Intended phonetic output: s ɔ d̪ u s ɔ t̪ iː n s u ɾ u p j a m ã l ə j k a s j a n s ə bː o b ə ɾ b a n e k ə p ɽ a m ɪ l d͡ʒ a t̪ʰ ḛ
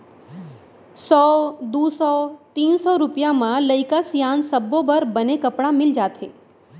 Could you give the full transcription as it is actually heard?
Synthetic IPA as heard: s ɔ d̪ u s ɔ t̪ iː n s ɔ ɾ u p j a m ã l ə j k a s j a n s ə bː o b ə ɾ b ə n e k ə p ɽ a m ɪ l d͡ʒ a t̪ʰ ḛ